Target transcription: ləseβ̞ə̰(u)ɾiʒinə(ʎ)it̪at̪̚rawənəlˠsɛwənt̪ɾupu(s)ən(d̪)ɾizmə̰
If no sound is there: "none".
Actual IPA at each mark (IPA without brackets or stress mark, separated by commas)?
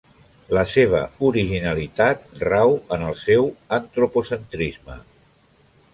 u, l, s, t̪